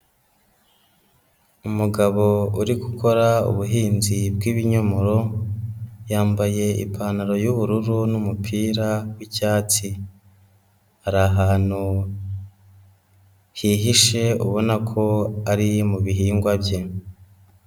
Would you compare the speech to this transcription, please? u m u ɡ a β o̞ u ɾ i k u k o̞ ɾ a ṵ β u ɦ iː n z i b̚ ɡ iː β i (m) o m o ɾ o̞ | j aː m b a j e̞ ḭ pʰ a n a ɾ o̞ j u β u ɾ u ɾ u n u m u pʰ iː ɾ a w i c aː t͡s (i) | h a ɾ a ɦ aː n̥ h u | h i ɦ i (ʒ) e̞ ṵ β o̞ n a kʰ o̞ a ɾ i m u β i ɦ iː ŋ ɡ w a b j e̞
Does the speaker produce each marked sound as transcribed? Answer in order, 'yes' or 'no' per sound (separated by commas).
no, yes, no